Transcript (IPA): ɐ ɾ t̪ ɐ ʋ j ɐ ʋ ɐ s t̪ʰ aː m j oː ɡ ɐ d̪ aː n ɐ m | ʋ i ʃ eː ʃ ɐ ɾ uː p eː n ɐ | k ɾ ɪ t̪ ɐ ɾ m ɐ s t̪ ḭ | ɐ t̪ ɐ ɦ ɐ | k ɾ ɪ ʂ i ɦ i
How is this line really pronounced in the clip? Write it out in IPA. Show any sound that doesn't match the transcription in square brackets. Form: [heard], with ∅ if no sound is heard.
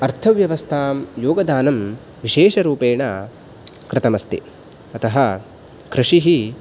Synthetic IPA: ɐ ɾ [t̪ʰ] ɐ ʋ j ɐ ʋ ɐ s t̪ʰ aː m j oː ɡ ɐ d̪ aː n ɐ m | ʋ i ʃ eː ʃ ɐ ɾ uː p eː [ɳ] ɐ | k ɾ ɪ t̪ ɐ [∅] m ɐ s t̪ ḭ | ɐ t̪ ɐ ɦ ɐ | k ɾ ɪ ʂ i ɦ i